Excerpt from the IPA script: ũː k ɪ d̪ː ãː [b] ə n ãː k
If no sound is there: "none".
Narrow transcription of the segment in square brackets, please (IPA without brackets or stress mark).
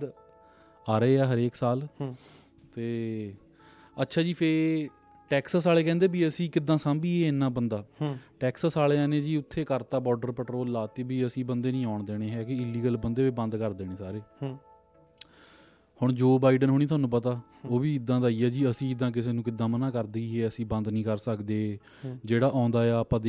m